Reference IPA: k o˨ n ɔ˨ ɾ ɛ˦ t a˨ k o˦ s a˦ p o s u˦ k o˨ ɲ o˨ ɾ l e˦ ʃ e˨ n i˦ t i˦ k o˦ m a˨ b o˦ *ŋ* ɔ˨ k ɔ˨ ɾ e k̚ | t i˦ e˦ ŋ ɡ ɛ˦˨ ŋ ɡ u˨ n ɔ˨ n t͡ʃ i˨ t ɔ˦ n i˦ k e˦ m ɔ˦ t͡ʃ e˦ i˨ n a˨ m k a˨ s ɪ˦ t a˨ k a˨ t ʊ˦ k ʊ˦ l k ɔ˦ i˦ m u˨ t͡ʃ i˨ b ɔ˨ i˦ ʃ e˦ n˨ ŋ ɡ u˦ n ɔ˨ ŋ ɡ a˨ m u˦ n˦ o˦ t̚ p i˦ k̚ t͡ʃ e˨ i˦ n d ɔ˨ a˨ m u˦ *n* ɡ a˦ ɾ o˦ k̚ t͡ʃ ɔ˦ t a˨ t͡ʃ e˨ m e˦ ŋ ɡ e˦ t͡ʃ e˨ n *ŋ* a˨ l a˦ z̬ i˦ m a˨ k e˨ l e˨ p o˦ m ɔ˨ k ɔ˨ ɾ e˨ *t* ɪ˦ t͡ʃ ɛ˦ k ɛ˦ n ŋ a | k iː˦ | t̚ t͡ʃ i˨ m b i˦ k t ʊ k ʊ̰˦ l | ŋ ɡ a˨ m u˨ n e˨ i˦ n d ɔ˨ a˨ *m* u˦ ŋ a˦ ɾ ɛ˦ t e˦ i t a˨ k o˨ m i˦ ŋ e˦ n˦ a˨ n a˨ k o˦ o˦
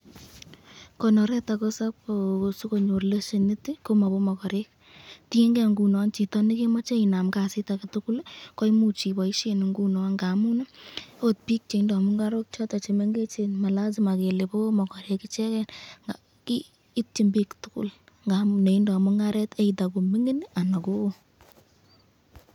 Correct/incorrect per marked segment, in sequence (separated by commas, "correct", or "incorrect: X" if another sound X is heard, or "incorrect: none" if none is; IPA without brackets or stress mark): incorrect: m, incorrect: ŋ, incorrect: m, incorrect: k, correct